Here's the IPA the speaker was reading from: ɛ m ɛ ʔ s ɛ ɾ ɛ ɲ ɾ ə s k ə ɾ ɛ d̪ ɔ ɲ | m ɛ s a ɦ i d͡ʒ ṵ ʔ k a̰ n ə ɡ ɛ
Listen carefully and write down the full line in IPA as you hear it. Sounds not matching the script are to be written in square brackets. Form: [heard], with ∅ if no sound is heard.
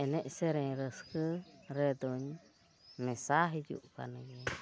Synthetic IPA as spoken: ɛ [n] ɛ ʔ s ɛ ɾ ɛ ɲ ɾ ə s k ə ɾ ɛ d̪ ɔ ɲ | m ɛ s a ɦ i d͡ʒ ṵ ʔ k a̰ n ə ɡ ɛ